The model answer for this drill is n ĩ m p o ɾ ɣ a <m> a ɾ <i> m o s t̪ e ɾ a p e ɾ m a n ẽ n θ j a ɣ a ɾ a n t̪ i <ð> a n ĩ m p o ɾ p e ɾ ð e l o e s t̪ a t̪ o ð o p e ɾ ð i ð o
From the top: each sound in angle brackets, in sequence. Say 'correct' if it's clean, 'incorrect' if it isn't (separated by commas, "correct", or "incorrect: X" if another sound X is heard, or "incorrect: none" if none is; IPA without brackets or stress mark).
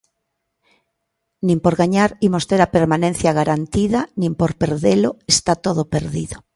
incorrect: ɲ, correct, correct